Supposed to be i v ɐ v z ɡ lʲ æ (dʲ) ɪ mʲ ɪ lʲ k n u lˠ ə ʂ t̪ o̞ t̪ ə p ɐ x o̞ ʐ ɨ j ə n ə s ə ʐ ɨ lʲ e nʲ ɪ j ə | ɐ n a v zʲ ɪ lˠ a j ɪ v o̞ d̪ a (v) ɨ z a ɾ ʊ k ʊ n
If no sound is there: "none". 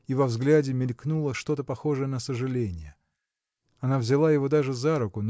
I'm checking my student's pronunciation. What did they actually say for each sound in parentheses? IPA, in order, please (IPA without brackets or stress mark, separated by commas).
dʲ, ʐ